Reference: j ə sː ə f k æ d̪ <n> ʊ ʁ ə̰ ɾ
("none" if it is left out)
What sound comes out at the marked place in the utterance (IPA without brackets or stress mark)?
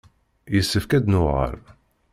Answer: n